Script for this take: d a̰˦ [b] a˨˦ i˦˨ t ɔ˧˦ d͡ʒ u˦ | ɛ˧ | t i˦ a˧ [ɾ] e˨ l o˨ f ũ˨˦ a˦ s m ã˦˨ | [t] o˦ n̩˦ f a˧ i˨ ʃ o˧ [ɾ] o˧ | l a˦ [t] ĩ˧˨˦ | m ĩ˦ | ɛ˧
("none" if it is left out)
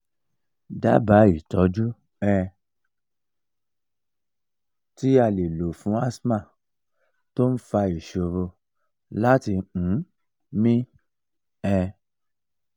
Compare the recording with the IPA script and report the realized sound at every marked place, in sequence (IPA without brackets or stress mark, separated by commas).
b, l, t, ɾ, t